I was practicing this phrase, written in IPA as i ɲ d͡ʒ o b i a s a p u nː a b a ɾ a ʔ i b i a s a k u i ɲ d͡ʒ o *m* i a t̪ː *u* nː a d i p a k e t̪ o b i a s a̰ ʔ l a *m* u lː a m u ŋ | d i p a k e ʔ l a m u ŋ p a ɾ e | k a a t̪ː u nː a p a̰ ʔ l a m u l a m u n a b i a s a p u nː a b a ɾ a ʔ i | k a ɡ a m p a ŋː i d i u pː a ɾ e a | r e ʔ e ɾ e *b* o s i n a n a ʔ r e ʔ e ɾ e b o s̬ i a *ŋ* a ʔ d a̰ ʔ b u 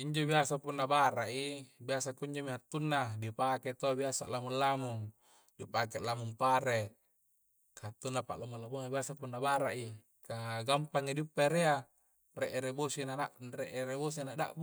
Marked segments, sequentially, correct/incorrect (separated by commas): correct, correct, correct, correct, incorrect